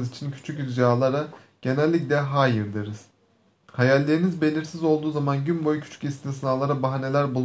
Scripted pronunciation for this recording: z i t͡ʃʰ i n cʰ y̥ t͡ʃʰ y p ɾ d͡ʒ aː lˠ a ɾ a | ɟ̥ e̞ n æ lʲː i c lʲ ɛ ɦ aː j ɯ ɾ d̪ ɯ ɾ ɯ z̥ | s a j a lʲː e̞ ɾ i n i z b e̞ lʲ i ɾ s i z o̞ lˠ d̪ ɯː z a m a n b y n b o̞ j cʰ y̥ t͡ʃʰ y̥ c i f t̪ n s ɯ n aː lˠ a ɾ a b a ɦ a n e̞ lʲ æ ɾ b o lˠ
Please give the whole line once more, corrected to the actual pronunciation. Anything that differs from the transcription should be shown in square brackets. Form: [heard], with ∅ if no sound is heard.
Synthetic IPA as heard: z i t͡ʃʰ i n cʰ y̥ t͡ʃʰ y [c] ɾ d͡ʒ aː lˠ a ɾ a | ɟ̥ e̞ n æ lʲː i c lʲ ɛ ɦ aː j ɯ ɾ d̪ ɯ ɾ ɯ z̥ | [h] a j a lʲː e̞ ɾ i n i z b e̞ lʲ i ɾ s i z o̞ lˠ d̪ [uː] z a m a n [ɟ] y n b o̞ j cʰ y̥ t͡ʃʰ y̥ c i [s] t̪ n s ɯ n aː lˠ a ɾ a b a ɦ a n e̞ lʲ æ ɾ b [u] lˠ